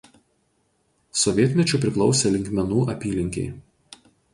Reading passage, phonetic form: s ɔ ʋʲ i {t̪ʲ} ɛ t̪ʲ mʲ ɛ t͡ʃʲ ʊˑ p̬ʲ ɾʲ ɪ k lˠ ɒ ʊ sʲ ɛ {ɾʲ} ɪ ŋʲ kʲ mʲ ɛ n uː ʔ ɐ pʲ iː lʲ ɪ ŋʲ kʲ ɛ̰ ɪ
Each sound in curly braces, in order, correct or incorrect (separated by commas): incorrect, incorrect